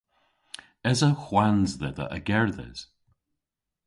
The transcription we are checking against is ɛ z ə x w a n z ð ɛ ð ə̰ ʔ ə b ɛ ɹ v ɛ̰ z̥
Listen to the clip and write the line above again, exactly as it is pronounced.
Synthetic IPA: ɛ z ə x w a n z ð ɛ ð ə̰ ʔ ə ɡ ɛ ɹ ð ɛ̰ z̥